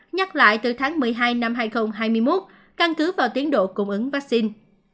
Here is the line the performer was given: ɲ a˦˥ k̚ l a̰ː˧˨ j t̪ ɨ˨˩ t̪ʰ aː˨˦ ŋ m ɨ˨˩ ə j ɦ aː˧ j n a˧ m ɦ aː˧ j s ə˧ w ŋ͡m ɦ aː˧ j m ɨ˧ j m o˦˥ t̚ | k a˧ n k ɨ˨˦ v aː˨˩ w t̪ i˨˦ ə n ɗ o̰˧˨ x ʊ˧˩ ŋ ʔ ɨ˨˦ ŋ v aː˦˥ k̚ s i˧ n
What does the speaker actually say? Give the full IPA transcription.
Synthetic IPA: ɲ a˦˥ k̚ l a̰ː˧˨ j t̪ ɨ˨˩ t̪ʰ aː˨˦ ŋ m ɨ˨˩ ə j ɦ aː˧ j n a˧ m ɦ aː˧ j x ə˧ w ŋ͡m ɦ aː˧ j m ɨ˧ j m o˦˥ t̚ | k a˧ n k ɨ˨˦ v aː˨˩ w t̪ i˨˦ ə n ɗ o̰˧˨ k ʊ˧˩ ŋ͡m ʔ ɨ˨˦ ŋ v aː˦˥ k̚ s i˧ n